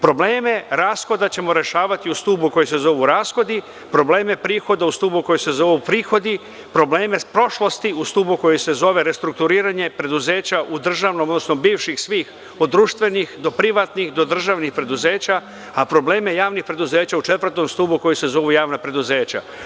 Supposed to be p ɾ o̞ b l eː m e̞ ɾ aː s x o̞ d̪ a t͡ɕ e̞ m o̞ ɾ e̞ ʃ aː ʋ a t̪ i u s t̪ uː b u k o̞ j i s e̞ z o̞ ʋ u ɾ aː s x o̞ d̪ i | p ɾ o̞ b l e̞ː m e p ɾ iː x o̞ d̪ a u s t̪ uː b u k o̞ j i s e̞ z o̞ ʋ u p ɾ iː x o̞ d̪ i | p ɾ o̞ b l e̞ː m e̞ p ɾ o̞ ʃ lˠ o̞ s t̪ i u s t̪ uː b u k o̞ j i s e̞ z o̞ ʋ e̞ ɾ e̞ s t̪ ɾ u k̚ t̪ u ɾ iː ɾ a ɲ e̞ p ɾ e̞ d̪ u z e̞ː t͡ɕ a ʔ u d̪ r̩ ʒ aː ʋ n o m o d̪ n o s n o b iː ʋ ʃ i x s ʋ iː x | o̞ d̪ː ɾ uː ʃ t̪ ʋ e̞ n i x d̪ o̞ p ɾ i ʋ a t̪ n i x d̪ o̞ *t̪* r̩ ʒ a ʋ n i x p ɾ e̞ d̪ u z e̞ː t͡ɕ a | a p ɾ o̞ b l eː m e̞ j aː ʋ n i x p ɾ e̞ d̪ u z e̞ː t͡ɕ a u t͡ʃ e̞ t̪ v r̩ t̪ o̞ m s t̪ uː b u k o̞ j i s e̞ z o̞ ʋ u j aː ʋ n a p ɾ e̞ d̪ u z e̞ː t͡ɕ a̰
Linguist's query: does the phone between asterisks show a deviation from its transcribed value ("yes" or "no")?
yes